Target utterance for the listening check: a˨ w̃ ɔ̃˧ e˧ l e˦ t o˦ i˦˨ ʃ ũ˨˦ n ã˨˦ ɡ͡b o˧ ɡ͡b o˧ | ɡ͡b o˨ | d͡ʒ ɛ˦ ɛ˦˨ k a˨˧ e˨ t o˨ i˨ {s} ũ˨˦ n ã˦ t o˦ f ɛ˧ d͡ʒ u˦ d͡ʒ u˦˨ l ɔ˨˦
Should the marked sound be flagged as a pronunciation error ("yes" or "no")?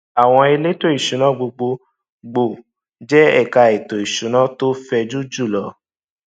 yes